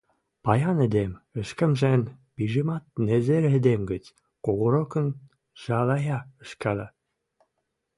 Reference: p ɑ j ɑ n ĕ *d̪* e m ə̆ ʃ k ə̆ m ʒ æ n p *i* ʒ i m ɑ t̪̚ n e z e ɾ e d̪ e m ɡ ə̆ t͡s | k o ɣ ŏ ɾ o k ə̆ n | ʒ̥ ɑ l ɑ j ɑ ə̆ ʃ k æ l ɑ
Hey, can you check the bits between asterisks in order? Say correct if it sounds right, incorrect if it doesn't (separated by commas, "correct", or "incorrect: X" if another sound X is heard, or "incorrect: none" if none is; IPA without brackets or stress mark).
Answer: correct, correct